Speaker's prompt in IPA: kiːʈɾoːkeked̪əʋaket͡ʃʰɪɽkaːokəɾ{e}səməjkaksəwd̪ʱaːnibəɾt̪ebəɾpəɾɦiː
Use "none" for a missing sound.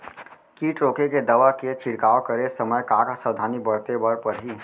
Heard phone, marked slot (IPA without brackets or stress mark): e